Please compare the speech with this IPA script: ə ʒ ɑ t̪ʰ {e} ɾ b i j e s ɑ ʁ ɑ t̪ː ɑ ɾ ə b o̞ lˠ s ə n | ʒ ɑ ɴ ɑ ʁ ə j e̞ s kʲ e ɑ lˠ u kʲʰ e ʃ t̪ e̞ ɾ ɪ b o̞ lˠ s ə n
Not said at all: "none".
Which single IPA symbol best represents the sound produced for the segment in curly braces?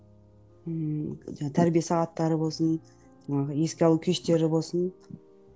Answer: æ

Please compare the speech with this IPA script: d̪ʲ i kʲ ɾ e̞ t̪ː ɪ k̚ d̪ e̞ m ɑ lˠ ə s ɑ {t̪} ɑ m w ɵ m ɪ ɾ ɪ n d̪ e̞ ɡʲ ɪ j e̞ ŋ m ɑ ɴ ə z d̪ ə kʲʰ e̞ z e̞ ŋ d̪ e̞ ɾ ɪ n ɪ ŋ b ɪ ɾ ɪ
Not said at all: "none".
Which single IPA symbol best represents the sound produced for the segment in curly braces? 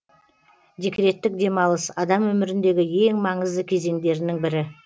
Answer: d̪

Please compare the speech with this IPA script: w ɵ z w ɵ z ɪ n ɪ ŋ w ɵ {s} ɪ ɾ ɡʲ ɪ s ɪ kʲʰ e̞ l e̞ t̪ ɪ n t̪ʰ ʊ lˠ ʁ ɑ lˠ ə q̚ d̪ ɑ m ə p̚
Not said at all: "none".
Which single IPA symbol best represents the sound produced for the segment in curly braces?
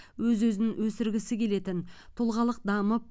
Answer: s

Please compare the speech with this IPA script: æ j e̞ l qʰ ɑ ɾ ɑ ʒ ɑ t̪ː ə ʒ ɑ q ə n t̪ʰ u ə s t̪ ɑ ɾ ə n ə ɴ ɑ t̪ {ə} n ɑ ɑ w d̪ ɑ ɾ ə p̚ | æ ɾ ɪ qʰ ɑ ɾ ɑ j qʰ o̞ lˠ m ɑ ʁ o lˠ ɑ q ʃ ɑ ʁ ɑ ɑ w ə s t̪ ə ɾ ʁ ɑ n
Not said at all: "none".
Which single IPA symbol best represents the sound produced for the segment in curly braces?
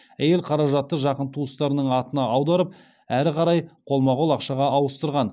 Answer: ə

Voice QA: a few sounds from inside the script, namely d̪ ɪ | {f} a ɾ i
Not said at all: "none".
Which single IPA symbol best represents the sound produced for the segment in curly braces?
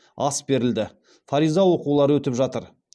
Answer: f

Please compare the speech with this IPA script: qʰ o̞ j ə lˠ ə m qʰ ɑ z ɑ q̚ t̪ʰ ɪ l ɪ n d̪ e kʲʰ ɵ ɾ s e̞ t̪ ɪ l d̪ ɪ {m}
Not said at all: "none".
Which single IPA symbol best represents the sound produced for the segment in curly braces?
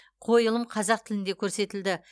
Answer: none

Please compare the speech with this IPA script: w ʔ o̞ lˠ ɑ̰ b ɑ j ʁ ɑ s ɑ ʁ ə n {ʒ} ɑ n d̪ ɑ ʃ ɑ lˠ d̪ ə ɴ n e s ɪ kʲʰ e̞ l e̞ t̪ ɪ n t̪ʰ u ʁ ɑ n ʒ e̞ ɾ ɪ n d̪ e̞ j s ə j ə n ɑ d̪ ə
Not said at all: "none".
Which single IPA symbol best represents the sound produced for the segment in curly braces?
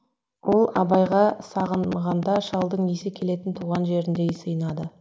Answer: ʁ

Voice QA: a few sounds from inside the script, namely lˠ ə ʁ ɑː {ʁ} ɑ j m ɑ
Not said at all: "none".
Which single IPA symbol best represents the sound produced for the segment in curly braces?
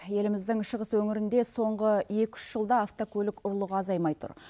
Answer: z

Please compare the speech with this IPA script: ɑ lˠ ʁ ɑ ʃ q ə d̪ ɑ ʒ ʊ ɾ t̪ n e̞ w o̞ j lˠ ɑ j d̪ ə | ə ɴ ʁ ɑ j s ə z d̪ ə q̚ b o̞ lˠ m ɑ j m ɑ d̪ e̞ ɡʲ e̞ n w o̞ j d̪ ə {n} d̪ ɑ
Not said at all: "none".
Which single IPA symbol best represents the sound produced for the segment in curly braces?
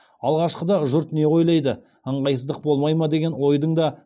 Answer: ɴ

